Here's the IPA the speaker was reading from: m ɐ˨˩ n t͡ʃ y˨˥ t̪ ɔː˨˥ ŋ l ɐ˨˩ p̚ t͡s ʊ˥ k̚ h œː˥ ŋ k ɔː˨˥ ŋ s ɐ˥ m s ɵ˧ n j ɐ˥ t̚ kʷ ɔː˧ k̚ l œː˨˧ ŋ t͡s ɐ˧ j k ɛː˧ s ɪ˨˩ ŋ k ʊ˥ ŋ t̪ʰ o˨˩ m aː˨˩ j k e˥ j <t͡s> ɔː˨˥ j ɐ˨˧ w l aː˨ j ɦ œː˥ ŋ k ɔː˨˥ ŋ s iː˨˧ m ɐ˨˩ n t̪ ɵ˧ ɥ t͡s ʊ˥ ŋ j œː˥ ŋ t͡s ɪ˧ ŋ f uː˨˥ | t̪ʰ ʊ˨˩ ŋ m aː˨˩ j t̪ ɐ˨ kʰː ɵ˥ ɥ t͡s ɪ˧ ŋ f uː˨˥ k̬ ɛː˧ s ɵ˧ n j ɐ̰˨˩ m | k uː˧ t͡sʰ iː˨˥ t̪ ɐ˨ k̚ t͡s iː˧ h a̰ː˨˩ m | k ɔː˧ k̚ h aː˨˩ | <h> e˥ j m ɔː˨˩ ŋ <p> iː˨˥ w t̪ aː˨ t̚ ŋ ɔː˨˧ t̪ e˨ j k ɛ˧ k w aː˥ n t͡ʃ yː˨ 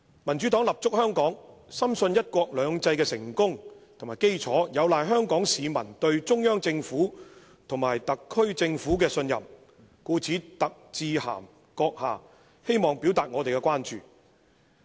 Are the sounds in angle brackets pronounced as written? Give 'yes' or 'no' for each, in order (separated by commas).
no, yes, yes